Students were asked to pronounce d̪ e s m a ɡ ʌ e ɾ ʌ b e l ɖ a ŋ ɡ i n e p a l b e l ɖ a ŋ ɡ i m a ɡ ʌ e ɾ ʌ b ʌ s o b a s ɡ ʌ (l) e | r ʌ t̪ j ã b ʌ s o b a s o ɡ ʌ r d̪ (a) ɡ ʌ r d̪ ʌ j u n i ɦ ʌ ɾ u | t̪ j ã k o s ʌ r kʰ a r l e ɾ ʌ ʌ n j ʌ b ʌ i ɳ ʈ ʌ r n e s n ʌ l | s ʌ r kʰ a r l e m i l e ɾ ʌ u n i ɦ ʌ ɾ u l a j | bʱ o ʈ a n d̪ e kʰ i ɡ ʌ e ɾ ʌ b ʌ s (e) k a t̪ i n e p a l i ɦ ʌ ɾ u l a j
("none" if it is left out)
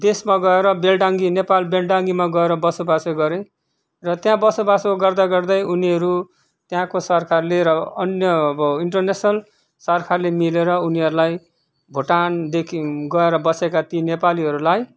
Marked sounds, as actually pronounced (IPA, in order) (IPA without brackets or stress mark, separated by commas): ɾ, a, e